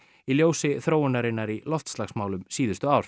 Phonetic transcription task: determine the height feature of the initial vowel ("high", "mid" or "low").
high